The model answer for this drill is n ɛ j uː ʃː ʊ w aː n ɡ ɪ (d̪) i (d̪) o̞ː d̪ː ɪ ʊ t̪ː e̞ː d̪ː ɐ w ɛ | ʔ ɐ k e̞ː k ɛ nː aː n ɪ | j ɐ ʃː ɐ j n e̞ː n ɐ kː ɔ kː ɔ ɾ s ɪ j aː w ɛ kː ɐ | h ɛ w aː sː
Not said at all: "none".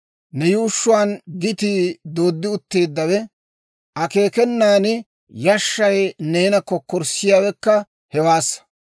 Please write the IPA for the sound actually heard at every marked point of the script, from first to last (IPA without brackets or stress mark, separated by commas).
t̪, d̪